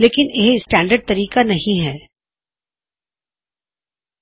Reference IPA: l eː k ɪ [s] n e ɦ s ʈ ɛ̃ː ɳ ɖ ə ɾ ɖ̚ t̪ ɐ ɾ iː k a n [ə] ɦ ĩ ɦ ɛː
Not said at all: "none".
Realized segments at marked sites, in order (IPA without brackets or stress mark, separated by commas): none, ɐ